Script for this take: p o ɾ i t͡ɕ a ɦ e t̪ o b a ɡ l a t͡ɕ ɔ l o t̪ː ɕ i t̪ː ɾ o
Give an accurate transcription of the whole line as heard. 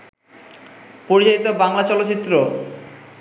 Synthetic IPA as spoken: p o ɾ i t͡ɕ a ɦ i t̪ o b a ŋ l a t͡ɕ ɔ l o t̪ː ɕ i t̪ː ɾ o